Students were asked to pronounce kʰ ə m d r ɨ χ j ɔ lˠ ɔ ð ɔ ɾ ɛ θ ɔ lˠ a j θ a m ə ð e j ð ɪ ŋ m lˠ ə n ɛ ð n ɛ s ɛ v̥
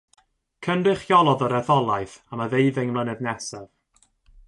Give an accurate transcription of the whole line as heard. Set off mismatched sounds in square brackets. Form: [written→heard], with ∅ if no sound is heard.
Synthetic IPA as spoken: kʰ ə [m→n] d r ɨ χ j ɔ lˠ ɔ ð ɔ ɾ ɛ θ ɔ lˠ a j θ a m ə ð e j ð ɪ ŋ m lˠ ə n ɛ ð n ɛ s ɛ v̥